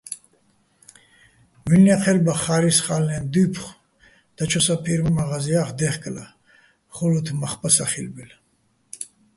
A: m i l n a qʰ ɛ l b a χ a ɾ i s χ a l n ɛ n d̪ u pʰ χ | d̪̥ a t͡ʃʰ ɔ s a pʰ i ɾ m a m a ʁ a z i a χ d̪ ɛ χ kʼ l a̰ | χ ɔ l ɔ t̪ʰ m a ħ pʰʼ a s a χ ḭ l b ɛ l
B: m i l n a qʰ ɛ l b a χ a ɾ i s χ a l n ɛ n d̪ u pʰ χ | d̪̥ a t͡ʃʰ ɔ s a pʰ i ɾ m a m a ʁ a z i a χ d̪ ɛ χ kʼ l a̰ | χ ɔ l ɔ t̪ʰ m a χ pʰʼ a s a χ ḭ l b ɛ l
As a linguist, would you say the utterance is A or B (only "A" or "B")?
B